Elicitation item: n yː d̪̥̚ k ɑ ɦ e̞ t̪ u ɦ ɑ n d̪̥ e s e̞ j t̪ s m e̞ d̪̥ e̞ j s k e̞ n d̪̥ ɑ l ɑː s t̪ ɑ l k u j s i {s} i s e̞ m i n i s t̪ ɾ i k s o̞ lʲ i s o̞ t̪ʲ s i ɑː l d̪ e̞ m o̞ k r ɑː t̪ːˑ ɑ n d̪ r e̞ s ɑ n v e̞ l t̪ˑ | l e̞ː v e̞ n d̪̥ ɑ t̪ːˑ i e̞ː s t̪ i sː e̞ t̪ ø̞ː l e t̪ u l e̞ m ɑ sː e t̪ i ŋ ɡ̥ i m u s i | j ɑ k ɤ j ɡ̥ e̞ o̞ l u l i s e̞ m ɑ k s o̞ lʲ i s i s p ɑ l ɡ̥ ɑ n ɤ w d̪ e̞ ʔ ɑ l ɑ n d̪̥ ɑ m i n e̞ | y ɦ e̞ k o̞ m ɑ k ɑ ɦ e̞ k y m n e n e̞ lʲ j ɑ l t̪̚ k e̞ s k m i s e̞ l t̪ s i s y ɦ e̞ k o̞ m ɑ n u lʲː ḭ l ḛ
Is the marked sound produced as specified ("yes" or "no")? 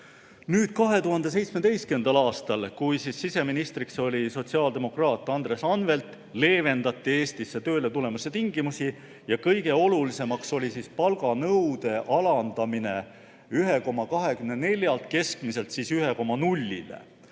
no